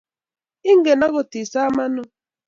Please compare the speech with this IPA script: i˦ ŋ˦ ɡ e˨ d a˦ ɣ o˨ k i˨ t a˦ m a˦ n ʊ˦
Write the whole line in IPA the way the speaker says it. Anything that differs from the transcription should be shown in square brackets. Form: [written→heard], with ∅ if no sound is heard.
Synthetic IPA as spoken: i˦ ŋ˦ ɡ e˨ [d→n] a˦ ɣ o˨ [k→t] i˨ [t→s] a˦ m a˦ n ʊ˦